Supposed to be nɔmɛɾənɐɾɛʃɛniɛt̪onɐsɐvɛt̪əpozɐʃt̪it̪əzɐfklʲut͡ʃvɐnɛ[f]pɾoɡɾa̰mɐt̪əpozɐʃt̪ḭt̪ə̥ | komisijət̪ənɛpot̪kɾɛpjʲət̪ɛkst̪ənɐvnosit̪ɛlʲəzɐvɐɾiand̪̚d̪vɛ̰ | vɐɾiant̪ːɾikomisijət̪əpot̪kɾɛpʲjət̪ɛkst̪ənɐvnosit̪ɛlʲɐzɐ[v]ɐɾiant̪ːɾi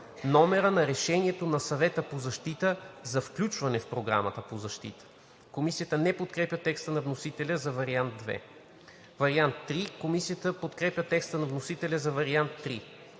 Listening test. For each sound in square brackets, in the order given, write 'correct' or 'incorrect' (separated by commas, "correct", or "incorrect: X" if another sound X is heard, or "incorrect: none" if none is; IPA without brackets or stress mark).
correct, correct